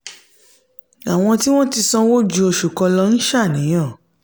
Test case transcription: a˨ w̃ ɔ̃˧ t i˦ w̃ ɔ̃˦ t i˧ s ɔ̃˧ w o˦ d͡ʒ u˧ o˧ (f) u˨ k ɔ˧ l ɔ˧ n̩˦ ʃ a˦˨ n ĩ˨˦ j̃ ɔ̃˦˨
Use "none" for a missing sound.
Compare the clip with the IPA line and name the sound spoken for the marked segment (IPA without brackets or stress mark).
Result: ʃ